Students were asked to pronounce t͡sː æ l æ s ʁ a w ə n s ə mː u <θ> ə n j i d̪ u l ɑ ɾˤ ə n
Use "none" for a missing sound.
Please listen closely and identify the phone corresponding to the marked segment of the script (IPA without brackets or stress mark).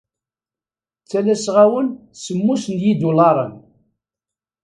s